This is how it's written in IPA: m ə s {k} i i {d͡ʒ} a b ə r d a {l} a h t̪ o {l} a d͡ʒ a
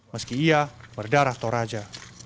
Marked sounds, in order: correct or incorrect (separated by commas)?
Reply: correct, incorrect, incorrect, incorrect